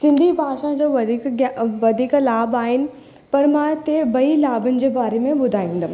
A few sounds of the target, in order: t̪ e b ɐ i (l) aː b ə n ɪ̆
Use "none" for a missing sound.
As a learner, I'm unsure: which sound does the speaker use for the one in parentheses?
l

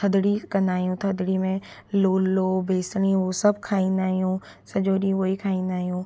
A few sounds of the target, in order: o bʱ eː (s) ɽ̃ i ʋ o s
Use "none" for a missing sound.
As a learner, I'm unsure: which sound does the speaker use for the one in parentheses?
s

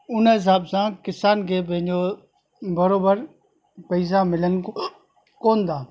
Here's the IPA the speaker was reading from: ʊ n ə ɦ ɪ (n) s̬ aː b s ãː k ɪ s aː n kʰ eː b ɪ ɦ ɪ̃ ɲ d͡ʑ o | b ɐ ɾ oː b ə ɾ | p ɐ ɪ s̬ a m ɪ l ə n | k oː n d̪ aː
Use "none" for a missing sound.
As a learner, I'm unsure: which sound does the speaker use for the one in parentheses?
none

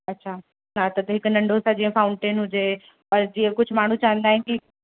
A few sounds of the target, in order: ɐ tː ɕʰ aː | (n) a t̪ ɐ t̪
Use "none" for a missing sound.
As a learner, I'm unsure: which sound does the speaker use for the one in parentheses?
n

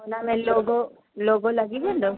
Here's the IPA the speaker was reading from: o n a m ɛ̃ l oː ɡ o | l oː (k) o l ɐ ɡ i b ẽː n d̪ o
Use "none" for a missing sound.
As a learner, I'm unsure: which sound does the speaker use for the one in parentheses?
ɡ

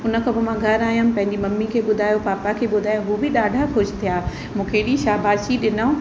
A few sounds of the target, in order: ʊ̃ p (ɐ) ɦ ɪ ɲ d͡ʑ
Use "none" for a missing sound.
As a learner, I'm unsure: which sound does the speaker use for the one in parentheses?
ɐ̃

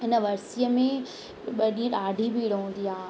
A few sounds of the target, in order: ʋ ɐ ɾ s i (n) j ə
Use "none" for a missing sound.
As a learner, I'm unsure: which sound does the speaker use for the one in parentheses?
none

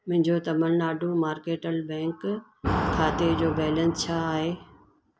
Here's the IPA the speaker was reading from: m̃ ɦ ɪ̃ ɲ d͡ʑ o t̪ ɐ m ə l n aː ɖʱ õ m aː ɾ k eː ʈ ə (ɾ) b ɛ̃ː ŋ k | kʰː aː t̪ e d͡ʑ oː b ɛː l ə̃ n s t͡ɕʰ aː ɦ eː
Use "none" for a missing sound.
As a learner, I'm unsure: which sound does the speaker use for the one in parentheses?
l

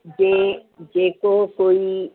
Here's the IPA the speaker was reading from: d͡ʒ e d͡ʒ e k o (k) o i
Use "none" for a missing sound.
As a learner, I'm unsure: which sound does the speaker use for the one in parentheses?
k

